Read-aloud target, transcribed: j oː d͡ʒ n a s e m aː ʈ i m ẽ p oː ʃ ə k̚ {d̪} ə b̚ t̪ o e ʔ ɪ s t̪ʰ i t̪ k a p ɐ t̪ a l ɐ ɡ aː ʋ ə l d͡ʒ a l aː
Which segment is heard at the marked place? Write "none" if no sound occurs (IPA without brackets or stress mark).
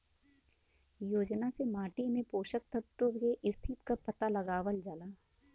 t̪